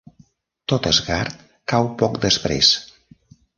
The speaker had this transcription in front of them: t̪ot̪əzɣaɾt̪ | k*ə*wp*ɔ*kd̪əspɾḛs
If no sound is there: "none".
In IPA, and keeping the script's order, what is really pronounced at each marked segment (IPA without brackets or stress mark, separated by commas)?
a, ɔ